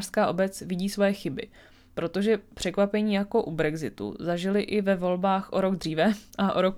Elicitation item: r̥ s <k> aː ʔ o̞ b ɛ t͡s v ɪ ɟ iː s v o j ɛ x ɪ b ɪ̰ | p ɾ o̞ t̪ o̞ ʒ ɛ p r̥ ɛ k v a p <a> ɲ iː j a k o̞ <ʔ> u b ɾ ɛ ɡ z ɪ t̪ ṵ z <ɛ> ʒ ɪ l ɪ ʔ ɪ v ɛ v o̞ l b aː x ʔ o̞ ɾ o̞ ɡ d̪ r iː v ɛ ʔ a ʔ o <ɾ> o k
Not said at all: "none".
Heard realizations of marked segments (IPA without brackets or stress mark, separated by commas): k, ɛ, ʔ, a, ɾ